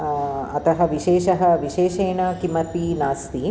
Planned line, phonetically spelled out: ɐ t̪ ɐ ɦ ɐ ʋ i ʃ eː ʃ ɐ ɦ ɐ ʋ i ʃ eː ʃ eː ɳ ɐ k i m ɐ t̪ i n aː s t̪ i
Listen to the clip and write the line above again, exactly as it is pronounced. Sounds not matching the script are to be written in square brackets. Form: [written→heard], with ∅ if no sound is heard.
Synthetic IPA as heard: ɐ t̪ ɐ ɦ ɐ ʋ i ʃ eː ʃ ɐ ɦ ɐ ʋ i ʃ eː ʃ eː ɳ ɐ k i m ɐ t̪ i n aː s t̪ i